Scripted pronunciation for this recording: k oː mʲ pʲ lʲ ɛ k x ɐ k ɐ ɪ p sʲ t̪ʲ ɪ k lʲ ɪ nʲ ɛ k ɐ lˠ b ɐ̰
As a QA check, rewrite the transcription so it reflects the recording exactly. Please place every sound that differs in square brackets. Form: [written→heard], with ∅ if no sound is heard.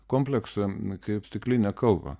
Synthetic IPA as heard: k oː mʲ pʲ lʲ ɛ k [x→s] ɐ k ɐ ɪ p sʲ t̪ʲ ɪ k lʲ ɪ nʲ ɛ k ɐ lˠ b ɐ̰